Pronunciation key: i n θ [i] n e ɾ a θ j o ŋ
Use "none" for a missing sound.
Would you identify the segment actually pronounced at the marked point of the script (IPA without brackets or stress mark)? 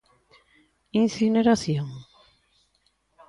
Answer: i